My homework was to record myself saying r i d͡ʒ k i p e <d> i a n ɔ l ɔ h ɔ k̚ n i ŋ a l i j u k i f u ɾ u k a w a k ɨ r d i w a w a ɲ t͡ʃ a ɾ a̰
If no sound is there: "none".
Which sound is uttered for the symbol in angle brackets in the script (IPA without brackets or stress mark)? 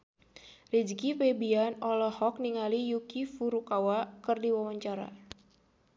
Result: b